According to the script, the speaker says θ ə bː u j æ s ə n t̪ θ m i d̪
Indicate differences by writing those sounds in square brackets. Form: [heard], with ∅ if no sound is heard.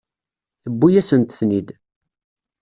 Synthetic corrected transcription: θ ə bː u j æ s ə n t̪ θ [n] i d̪